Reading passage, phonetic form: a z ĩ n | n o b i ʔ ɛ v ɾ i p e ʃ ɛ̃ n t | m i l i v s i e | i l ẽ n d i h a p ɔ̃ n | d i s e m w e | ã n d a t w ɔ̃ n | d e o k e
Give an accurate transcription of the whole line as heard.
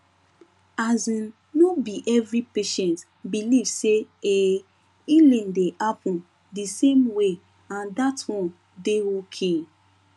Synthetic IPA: a z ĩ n | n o b i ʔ ɛ v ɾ i p e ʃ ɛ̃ n t | b i l i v s e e | i l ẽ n d e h a p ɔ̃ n | d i s e m w e | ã n d a t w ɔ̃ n | d e o kʰ e